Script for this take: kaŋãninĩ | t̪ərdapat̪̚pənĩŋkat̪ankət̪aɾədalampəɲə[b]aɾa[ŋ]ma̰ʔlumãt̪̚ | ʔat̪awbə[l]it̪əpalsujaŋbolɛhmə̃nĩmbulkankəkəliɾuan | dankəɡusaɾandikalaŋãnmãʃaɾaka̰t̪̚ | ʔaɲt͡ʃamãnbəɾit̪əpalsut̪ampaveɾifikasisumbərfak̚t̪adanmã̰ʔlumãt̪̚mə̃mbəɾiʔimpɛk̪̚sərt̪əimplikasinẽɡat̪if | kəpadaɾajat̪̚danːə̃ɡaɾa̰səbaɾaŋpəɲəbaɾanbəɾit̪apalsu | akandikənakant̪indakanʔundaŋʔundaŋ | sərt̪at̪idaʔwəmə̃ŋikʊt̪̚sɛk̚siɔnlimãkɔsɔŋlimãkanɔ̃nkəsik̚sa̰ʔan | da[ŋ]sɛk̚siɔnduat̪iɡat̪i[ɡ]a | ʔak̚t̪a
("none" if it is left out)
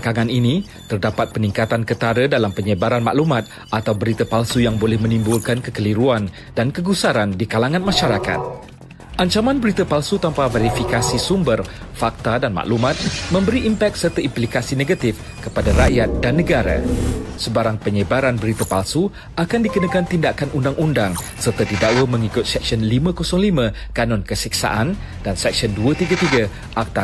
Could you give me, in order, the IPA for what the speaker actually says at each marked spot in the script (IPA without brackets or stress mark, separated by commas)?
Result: b, n, ɾ, n, ɡ